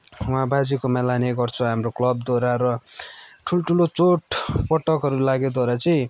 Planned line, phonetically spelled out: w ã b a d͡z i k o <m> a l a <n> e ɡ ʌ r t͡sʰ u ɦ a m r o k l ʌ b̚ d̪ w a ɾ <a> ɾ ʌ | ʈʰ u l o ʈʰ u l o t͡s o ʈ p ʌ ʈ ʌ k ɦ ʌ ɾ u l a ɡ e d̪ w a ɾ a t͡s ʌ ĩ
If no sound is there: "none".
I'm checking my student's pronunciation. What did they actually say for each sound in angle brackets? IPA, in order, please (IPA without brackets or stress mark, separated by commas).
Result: m, n, a